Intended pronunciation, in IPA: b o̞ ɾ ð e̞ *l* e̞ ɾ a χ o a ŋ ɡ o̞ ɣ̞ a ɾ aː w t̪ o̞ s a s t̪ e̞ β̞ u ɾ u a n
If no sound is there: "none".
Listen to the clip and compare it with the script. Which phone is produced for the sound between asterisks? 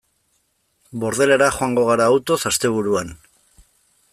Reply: l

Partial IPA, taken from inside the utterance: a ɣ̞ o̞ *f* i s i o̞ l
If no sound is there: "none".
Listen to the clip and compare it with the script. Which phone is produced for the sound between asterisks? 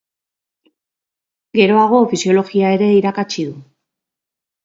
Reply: f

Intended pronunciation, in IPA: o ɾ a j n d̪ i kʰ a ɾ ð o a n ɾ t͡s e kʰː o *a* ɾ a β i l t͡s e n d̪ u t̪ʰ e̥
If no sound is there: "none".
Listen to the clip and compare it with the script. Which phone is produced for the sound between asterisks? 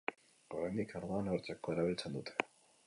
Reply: e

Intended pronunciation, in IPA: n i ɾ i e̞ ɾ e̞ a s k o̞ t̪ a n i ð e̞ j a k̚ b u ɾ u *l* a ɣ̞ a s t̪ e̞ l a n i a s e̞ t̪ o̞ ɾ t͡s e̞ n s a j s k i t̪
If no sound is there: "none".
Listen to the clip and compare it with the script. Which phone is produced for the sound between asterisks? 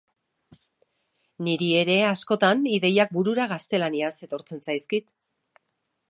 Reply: ɾ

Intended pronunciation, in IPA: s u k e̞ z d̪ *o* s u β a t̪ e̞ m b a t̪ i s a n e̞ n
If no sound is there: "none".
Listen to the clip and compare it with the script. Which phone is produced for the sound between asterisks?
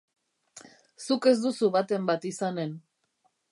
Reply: u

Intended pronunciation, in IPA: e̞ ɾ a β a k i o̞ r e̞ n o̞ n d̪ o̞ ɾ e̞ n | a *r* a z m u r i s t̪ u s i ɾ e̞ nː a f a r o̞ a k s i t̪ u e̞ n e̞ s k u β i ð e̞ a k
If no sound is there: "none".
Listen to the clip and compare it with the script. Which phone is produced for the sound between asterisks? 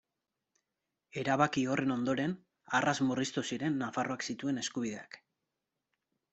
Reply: r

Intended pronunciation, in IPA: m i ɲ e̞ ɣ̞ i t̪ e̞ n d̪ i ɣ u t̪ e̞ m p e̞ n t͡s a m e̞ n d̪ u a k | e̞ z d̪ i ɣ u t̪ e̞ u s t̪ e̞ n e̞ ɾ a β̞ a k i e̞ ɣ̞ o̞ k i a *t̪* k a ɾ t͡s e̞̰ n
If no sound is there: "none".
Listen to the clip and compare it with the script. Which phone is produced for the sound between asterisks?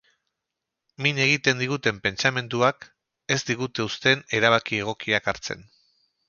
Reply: none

